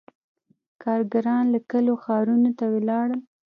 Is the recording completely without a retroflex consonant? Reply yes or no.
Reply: no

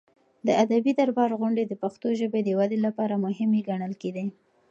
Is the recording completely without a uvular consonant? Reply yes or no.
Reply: yes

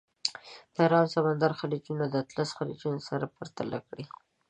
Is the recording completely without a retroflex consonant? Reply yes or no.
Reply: no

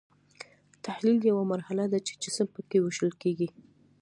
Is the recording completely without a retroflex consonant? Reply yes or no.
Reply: yes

